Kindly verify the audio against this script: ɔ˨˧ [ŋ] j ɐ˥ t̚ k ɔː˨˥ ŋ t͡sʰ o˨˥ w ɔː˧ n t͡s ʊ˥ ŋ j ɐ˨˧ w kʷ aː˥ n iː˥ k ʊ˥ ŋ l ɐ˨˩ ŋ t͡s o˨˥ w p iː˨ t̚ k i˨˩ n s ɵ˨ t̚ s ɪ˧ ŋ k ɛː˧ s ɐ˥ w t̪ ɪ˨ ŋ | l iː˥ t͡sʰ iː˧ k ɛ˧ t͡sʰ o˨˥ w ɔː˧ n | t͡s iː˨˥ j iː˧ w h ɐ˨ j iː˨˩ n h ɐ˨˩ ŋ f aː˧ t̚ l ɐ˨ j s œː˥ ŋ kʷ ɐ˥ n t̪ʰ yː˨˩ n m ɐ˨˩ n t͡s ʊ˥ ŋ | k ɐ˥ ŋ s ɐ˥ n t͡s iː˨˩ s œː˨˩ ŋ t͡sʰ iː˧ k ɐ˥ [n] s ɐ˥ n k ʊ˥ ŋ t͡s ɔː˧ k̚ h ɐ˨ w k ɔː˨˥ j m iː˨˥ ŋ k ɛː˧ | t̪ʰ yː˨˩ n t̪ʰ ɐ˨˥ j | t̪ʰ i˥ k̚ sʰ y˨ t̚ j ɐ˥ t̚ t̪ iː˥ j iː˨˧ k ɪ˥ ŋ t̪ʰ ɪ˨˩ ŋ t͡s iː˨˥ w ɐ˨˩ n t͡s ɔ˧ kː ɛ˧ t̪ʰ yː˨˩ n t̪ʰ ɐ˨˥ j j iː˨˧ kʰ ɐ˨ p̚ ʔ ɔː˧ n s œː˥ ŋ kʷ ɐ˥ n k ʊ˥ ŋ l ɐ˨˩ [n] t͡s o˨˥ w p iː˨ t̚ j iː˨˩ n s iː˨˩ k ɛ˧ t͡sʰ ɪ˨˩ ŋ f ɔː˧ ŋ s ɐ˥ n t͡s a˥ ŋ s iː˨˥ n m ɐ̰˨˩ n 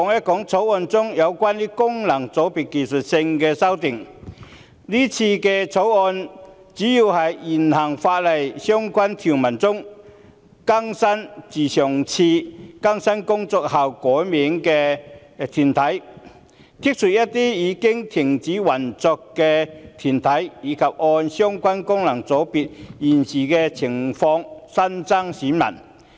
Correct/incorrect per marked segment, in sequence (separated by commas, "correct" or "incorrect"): correct, incorrect, incorrect